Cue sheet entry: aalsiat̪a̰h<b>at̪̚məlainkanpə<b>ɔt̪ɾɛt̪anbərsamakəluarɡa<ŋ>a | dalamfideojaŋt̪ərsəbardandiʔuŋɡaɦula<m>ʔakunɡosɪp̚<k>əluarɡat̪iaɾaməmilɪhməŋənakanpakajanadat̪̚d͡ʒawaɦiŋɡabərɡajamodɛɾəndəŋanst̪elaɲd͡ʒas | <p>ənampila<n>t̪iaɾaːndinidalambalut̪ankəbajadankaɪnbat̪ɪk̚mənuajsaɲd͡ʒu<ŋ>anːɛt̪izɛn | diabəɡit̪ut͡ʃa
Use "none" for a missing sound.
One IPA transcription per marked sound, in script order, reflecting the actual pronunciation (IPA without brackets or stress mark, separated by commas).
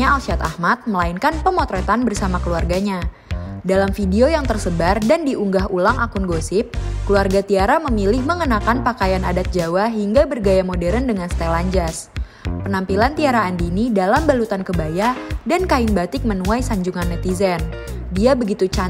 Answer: m, m, ɲ, ŋ, k, p, n, ŋ